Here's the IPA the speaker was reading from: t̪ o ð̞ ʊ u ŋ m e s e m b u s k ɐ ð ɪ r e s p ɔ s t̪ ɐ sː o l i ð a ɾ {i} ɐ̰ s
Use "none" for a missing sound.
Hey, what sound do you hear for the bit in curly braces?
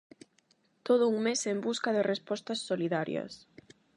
j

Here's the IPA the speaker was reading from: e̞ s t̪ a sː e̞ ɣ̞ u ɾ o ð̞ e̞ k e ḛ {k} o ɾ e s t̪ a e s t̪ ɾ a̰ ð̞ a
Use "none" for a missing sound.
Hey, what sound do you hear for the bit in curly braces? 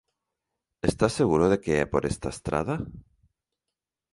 p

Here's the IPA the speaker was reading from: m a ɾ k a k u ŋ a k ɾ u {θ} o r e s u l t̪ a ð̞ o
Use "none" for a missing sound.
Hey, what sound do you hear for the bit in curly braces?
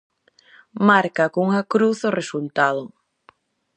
θ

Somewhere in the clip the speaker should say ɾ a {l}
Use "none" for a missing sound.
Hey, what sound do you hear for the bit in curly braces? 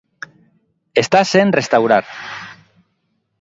ɾ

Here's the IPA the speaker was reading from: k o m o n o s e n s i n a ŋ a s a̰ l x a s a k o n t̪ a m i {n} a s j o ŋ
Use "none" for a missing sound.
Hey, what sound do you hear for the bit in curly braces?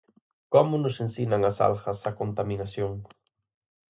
n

